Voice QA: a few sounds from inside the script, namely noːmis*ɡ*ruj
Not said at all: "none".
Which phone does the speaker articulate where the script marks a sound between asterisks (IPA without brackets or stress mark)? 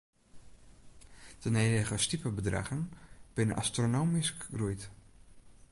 k